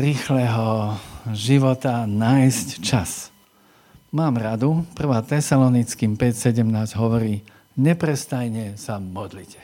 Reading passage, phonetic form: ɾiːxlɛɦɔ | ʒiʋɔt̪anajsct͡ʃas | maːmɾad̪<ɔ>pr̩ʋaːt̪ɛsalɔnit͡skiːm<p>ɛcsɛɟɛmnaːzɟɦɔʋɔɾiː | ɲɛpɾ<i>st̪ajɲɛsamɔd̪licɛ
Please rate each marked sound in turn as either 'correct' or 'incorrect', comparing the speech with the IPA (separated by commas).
incorrect, correct, incorrect